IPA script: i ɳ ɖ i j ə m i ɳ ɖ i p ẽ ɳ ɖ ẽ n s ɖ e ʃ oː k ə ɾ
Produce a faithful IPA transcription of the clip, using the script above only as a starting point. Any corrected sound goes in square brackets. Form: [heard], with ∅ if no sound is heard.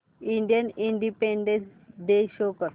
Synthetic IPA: i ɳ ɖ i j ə [n] i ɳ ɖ i p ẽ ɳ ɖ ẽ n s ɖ e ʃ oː k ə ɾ

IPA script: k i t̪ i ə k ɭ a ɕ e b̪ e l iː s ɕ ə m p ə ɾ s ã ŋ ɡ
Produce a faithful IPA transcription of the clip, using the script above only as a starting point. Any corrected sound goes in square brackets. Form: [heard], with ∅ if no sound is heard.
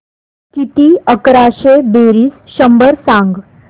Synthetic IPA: k i t̪ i ə k [ɾ] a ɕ e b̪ e [ɾ] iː s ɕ ə m [b] ə ɾ s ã ŋ ɡ

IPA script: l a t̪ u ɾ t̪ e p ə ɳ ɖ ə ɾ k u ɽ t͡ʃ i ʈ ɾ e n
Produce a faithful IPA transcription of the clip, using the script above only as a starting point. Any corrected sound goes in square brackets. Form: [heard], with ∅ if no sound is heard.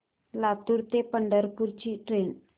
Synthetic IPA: l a t̪ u ɾ t̪ e p ə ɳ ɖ ə ɾ [p] u [ɾ] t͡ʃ i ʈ ɾ e n

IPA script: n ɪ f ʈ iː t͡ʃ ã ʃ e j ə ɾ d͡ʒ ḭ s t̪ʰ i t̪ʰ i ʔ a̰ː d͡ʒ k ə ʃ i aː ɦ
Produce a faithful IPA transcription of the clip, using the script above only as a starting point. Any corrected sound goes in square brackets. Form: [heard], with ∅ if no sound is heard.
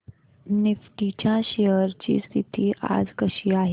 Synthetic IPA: n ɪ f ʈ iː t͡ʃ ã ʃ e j ə ɾ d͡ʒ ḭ s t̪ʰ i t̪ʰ i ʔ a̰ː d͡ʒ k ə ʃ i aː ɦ

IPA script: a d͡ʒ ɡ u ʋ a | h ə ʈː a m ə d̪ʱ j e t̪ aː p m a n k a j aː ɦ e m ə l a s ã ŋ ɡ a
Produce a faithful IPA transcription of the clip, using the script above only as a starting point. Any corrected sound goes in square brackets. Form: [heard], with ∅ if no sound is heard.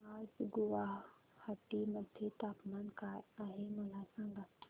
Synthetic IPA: a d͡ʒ ɡ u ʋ a | h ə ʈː [i] m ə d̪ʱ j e t̪ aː p m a n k a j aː ɦ e m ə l a s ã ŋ ɡ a

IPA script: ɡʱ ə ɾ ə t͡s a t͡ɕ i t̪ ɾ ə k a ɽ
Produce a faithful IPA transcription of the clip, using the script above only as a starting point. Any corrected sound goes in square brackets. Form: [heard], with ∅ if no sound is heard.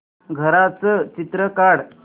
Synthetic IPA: ɡʱ ə ɾ [a] t͡s [ə] t͡ɕ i t̪ ɾ ə k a ɽ

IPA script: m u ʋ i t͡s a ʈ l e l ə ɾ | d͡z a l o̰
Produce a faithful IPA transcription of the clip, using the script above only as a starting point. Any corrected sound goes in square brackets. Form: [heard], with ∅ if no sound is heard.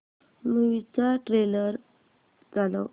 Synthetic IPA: m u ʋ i t͡s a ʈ [ɾ] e l ə ɾ | d͡z a l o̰

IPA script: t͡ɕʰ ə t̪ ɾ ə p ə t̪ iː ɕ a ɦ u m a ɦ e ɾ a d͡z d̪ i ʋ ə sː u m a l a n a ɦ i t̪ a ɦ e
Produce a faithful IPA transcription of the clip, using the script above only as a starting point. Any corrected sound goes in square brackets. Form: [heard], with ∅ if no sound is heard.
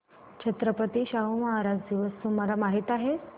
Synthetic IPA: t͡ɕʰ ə t̪ ɾ ə p ə t̪ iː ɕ a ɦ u m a ɦ [a] ɾ a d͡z d̪ i ʋ ə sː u m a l a [m] a ɦ i t̪ a ɦ e

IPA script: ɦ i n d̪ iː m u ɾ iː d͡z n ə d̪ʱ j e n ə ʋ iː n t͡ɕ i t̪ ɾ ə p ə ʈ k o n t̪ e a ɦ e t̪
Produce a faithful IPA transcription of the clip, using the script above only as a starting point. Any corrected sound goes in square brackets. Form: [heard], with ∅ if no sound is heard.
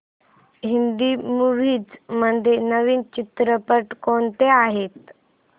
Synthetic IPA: ɦ i n d̪ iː m u ɾ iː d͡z [m] ə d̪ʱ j e n ə ʋ iː n t͡ɕ i t̪ ɾ ə p ə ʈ k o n t̪ e a ɦ e t̪

